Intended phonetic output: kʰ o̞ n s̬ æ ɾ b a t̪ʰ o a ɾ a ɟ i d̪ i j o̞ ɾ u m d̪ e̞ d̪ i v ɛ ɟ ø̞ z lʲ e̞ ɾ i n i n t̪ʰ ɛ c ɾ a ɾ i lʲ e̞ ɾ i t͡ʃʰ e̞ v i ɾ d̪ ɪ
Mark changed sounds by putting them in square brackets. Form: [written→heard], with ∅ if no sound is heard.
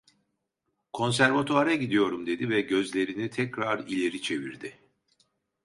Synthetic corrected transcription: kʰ o̞ n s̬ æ ɾ [b→v] a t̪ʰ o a ɾ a ɟ i d̪ i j o̞ ɾ u m d̪ e̞ d̪ i v ɛ ɟ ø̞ z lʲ e̞ ɾ i n i [n→∅] t̪ʰ ɛ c ɾ a ɾ i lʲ e̞ ɾ i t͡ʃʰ e̞ v i ɾ d̪ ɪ